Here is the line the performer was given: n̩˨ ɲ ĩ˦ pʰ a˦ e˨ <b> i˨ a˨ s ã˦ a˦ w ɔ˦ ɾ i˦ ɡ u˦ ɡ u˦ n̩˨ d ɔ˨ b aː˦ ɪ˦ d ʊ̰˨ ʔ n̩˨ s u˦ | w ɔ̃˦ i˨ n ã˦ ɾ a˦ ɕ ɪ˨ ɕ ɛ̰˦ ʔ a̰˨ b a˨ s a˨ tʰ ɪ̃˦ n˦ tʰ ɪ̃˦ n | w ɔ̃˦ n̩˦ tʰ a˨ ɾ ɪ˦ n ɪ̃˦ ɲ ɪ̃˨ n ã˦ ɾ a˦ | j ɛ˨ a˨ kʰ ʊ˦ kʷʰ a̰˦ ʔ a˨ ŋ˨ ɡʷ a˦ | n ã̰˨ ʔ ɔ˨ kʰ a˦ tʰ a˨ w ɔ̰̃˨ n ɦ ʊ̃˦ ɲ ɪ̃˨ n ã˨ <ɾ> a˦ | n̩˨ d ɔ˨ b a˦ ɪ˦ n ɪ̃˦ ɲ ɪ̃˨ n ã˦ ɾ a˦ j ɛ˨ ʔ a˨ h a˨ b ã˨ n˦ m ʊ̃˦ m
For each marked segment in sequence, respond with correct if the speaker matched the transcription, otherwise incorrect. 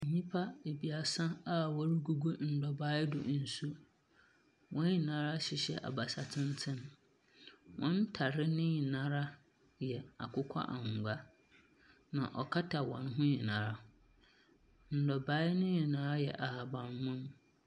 correct, correct

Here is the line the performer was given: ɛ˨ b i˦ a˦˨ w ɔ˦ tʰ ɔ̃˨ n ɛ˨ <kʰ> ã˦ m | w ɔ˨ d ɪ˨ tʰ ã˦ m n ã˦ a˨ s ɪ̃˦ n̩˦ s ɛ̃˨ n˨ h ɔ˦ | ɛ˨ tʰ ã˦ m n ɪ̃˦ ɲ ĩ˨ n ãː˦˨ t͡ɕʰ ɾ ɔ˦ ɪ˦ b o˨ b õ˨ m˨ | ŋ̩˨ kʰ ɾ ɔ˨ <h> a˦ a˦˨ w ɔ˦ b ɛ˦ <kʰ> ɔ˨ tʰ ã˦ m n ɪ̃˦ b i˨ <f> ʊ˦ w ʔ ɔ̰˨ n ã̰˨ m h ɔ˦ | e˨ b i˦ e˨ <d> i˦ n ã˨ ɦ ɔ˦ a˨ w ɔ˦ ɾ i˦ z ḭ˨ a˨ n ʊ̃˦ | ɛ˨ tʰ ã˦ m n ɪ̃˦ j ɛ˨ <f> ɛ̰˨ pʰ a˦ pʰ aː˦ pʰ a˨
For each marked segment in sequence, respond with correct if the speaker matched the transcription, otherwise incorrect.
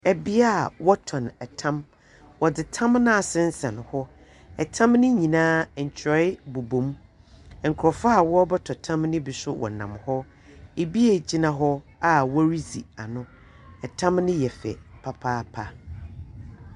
incorrect: tʰ, incorrect: f, incorrect: tʰ, incorrect: s, incorrect: d͡ʑ, correct

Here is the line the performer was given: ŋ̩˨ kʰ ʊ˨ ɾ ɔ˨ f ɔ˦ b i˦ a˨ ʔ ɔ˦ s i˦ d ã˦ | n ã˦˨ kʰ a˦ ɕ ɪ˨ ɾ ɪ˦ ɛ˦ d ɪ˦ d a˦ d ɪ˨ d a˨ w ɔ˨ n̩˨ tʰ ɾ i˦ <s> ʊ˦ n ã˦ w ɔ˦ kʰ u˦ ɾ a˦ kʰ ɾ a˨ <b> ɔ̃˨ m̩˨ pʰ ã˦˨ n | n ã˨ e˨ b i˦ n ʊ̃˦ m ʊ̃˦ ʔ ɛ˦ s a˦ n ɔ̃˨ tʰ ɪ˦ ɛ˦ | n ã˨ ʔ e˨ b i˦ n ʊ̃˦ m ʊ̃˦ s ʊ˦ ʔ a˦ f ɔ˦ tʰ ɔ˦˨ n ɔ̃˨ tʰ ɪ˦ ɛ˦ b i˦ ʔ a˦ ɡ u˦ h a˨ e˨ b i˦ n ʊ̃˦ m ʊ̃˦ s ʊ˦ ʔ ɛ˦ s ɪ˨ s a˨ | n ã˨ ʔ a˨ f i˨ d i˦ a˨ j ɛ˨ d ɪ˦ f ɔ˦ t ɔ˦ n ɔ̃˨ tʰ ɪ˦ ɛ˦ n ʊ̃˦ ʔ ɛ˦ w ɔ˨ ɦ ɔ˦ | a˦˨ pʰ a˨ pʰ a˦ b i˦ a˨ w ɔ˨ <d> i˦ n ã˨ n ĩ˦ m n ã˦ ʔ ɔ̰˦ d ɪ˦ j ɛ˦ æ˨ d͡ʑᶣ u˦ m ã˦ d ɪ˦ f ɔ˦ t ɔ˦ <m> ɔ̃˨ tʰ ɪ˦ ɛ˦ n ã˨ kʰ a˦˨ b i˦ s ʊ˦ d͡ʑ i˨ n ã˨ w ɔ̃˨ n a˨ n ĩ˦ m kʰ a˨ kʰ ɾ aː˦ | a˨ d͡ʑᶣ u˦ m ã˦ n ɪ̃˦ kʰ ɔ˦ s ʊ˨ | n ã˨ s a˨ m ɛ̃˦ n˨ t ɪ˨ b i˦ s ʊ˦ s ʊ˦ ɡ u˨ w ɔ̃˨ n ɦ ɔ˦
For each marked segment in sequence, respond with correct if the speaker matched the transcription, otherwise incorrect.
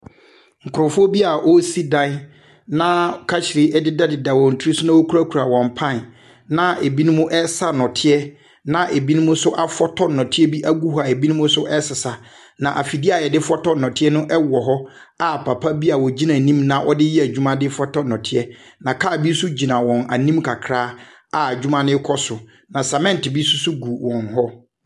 correct, incorrect: w, incorrect: d͡ʑ, incorrect: n

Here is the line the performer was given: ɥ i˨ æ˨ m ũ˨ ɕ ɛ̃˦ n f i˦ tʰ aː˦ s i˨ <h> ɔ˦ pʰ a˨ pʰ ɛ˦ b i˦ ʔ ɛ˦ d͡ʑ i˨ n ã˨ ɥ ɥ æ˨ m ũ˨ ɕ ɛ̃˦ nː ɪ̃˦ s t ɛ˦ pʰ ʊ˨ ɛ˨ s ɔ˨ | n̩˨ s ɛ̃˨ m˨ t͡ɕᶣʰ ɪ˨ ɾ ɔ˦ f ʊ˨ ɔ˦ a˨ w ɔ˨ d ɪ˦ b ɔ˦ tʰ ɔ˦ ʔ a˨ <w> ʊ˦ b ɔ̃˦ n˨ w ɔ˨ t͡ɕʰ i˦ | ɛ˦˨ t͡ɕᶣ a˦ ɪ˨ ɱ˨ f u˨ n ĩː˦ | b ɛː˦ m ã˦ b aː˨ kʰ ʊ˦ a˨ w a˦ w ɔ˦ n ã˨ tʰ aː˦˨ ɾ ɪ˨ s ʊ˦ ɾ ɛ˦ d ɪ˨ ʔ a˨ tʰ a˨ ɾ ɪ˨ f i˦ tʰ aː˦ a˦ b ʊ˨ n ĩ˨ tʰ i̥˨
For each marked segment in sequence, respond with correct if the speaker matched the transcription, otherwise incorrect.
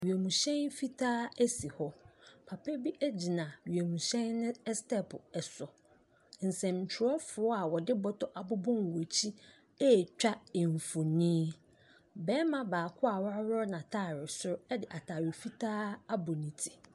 correct, incorrect: b

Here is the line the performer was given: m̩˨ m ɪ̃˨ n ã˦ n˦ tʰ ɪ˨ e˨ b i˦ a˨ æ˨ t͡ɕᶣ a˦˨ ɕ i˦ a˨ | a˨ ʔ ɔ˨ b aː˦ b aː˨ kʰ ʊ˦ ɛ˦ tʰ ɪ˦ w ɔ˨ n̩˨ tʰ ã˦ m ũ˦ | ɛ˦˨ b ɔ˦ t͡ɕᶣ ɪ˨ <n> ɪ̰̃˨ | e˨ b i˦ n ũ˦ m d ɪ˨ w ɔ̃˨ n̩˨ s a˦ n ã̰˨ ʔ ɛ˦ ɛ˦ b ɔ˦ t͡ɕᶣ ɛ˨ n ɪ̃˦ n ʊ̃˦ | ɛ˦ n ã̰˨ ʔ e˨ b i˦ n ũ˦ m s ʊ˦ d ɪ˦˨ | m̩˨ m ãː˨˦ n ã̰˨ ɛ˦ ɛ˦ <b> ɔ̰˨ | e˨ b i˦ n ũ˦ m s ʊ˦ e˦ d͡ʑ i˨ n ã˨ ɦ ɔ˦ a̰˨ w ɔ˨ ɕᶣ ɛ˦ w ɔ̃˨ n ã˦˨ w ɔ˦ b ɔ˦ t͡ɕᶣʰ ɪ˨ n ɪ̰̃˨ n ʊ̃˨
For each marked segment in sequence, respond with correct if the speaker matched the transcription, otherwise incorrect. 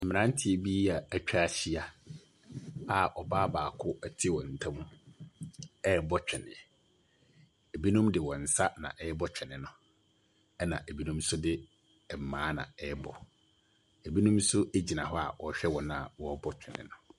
correct, correct

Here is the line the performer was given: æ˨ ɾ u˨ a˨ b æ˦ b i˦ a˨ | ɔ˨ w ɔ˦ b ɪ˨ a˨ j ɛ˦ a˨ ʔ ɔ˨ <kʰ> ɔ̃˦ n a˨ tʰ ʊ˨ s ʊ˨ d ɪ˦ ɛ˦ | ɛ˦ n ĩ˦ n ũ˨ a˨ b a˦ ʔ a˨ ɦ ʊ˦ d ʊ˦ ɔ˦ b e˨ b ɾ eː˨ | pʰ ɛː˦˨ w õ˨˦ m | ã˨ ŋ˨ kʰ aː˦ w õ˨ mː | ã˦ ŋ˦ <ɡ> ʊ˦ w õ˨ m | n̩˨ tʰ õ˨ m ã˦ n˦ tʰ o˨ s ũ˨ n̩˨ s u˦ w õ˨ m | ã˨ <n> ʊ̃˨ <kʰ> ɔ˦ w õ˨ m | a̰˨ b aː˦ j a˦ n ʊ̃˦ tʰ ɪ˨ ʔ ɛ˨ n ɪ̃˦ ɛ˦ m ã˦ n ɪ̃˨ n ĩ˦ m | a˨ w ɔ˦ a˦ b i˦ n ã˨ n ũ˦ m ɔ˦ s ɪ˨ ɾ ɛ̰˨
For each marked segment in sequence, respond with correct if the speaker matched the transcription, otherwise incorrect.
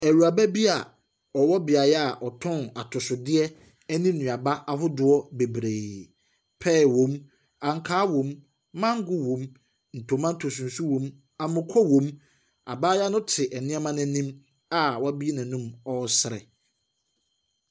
incorrect: tʰ, correct, incorrect: m, correct

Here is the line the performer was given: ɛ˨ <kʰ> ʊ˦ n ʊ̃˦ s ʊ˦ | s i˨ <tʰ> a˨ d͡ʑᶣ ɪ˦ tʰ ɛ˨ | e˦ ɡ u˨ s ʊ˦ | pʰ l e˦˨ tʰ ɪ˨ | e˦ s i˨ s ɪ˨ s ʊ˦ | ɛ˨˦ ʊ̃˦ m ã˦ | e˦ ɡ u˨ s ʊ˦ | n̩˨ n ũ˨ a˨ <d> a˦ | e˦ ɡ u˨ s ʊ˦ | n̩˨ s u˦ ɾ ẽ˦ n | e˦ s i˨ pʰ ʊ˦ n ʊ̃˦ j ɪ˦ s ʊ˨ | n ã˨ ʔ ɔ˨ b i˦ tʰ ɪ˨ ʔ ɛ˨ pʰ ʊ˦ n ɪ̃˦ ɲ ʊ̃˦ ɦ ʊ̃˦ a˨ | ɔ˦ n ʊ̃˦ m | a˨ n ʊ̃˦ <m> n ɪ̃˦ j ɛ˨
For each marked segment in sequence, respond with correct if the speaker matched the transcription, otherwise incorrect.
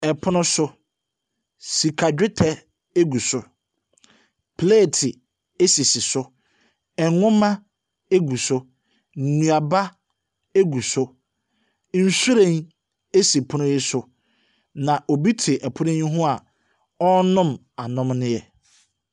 incorrect: pʰ, incorrect: kʰ, incorrect: b, correct

